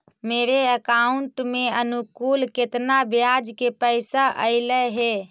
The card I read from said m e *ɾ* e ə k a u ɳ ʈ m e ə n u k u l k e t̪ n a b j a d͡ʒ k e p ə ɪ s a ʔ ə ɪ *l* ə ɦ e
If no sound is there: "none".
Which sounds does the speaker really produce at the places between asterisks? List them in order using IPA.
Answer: ɾ, l

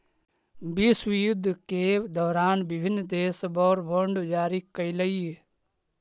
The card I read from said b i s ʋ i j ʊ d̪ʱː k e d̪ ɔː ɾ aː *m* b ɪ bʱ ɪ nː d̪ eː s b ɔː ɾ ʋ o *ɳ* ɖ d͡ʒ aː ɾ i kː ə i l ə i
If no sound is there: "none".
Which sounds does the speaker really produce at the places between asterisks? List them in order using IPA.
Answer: n, ɳ

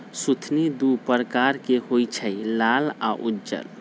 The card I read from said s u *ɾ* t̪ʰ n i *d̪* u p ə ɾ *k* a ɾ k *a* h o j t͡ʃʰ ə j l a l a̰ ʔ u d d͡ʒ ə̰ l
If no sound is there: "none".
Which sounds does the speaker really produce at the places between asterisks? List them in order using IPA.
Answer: none, d̪, k, e

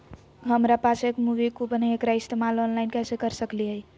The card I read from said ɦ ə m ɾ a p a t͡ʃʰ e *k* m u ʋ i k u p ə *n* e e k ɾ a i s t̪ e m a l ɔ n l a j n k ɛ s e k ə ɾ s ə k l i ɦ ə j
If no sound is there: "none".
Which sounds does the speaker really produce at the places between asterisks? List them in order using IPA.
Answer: k, n

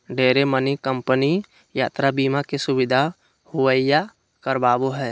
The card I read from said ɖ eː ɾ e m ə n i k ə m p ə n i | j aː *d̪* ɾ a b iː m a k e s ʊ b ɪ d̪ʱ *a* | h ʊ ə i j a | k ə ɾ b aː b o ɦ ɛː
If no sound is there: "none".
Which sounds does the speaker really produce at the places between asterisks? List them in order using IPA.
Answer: t̪, a

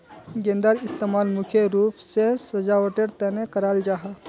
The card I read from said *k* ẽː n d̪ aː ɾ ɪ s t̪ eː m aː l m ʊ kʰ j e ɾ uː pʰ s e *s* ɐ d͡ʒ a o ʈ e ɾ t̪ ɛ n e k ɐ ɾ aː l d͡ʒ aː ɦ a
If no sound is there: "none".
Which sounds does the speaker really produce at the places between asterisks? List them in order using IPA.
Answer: ɡ, s

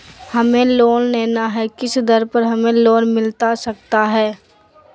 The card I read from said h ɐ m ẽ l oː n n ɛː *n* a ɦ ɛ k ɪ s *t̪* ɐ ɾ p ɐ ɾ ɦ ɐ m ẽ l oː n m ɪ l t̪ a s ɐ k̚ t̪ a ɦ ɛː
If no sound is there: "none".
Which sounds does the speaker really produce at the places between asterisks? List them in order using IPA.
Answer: n, d̪

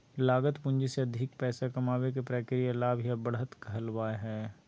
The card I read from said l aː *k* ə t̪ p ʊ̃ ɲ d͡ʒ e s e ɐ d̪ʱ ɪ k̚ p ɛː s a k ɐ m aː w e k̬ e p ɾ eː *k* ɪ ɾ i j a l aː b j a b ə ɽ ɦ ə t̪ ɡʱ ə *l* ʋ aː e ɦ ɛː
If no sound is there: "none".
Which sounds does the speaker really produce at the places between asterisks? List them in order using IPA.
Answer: ɡ, k, l

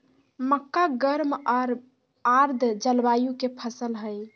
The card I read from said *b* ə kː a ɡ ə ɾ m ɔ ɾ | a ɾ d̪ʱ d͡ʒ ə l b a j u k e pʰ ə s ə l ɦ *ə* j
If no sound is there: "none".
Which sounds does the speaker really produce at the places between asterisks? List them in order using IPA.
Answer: m, ə

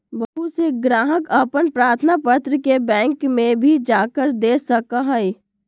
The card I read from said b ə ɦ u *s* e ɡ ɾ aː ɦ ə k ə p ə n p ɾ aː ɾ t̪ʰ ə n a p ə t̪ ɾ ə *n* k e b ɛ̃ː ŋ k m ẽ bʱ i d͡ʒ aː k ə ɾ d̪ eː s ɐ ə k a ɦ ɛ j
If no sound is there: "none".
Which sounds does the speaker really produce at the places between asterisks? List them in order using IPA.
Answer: s, none

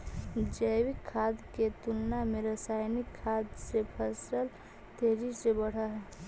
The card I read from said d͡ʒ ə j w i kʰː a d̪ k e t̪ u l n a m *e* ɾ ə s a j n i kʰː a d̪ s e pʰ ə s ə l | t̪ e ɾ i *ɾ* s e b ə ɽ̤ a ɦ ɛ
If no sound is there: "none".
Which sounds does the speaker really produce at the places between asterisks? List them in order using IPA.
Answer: e, none

